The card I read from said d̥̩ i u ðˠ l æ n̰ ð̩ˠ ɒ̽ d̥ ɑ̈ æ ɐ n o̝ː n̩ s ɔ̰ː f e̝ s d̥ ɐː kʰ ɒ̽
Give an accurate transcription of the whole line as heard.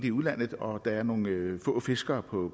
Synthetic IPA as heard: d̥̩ i u ðˠ l æ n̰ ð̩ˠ ɒ̽ d̥ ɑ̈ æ ɐ n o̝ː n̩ f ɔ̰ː f e̝ s ɡ̥ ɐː pʰ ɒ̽

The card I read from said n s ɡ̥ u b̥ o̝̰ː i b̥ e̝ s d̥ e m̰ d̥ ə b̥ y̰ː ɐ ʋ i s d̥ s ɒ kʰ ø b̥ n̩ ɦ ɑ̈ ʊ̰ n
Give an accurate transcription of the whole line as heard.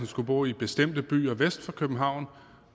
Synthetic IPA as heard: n s ɡ̥ u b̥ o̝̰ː i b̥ e̝ s d̥ e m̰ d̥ ə b̥ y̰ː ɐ ʋ e s d̥ f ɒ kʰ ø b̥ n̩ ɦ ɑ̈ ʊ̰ n

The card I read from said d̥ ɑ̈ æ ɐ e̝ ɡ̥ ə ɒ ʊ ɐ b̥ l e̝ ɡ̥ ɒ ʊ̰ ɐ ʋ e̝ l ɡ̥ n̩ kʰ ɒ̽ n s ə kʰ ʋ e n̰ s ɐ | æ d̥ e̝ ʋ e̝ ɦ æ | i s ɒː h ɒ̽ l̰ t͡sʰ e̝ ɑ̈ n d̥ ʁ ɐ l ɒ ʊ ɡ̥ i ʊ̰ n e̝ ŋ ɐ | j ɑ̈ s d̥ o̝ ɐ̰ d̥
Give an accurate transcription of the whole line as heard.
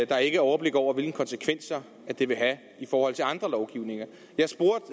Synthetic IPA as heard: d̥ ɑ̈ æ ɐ e̝ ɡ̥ ə ɒ ʊ ɐ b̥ l e̝ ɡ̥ ɒ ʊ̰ ɐ ʋ e̝ l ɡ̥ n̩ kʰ ɒ̽ n s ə kʰ ʋ e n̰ s ɐ | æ d̥ e̝ ʋ e̝ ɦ æ | i f ɒː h ɒ̽ l̰ t͡sʰ e̝ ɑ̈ n d̥ ʁ ɐ l ɒ ʊ ɡ̥ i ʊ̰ n e̝ ŋ ɐ | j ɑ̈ s b̥ o̝ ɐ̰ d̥

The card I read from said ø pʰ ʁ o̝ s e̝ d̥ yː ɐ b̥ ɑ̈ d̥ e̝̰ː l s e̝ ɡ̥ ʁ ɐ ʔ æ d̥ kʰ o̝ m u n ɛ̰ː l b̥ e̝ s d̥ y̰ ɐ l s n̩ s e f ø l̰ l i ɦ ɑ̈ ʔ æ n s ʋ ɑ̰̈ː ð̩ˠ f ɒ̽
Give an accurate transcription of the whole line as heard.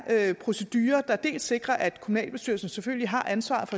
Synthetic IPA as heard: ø pʰ ʁ o̝ s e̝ d̥ yː ɐ d̥ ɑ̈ d̥ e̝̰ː l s e̝ ɡ̥ ʁ ɐ ʔ æ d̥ kʰ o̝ m u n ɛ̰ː l b̥ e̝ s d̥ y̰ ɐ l s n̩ s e f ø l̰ l i ɦ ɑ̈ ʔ æ n s ʋ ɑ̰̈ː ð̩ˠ f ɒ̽

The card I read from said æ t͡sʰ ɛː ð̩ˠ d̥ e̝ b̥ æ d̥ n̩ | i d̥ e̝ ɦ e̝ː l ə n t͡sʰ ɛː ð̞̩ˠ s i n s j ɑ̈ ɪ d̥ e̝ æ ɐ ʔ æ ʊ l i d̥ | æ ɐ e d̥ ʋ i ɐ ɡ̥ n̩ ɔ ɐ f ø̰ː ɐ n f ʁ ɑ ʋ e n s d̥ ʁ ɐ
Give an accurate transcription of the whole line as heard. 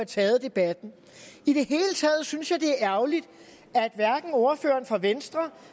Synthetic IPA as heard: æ t͡sʰ ɛː ð̩ˠ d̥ e̝ b̥ æ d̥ n̩ | i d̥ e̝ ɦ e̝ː l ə t͡sʰ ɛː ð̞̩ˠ s y n s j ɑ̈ ɪ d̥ e̝ æ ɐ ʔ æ ʊ l i d̥ | æ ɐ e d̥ ʋ æ ɐ ɡ̥ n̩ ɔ ɐ f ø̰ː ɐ n f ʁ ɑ ʋ e n s d̥ ʁ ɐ

